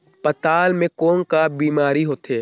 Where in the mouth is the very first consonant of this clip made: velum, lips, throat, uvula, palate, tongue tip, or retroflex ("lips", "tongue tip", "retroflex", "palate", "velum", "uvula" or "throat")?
lips